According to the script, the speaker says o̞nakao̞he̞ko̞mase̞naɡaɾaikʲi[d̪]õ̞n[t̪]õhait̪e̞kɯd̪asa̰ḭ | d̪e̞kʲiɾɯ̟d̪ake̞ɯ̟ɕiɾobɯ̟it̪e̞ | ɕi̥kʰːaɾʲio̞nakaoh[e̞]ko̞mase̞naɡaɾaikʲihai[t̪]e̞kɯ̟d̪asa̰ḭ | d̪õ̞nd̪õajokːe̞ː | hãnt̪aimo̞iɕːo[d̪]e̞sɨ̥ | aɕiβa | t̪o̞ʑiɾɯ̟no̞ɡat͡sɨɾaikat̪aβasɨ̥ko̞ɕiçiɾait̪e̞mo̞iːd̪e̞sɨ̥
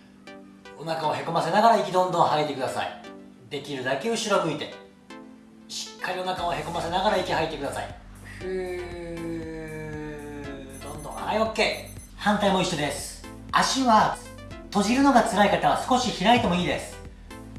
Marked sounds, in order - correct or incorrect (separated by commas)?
correct, incorrect, correct, correct, correct